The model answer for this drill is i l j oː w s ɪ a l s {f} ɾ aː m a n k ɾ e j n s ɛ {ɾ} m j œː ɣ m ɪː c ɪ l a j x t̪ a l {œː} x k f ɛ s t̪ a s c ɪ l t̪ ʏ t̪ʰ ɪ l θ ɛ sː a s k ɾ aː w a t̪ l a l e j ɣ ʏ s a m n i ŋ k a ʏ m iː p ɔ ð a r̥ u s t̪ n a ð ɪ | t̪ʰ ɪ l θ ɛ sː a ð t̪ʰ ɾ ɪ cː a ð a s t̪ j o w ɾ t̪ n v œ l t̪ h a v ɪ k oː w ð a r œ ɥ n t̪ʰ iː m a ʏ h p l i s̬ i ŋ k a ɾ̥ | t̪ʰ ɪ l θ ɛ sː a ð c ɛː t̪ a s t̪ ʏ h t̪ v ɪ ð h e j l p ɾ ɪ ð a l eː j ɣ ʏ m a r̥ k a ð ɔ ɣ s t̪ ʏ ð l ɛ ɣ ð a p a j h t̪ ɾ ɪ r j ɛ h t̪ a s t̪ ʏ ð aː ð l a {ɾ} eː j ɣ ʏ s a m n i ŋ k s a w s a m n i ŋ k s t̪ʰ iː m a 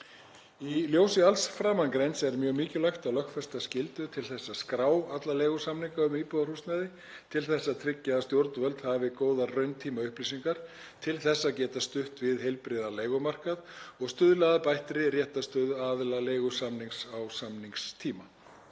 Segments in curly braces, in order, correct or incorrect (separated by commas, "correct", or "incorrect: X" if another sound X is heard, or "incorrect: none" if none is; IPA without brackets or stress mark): correct, correct, incorrect: œ, incorrect: l